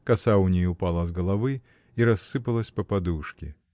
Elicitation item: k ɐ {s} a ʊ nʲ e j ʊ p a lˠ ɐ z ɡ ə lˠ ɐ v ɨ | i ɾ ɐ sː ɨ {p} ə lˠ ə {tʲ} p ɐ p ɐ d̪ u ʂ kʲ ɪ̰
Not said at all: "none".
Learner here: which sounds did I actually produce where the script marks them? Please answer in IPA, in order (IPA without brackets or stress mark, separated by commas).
s, p, sʲ